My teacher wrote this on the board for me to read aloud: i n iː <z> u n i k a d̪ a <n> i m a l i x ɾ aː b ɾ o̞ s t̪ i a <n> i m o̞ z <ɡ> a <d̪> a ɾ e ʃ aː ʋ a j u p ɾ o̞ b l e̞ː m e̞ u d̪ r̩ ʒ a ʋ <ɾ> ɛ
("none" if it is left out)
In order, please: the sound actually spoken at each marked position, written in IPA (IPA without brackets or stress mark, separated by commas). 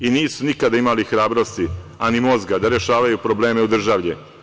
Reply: s, none, n, ɡ, d̪, ʎ